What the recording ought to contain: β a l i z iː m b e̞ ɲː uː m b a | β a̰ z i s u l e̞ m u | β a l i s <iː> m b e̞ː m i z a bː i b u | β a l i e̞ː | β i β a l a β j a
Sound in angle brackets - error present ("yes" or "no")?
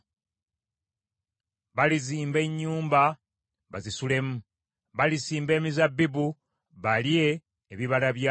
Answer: no